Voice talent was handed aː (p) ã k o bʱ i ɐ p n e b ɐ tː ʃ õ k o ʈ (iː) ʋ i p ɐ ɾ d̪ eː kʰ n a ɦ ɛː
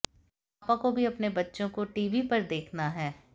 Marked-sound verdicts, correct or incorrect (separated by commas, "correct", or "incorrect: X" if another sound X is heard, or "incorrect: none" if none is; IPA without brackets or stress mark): correct, correct